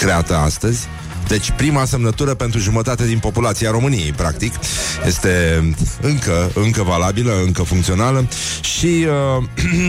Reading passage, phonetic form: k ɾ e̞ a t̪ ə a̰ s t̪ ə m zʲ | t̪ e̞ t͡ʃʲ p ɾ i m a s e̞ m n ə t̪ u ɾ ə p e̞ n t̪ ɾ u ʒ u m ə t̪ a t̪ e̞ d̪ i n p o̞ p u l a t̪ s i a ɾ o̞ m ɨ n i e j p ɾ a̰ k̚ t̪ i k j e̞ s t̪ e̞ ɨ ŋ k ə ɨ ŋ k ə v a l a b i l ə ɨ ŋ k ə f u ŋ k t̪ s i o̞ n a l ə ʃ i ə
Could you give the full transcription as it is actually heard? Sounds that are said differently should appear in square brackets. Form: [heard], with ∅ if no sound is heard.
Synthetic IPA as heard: k ɾ e̞ a t̪ ə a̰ s t̪ ə [∅] zʲ | [d̪] e̞ t͡ʃʲ p ɾ i m a s e̞ m n ə t̪ u ɾ ə p e̞ n t̪ ɾ u ʒ u m ə t̪ a t̪ e̞ d̪ i n p o̞ p u l a t̪ s i a ɾ o̞ m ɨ n i e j p ɾ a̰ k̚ t̪ i k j e̞ s t̪ e̞ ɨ ŋ k ə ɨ ŋ k ə v a l a b i l ə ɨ ŋ k ə f u ŋ k t̪ s i o̞ n a l ə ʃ i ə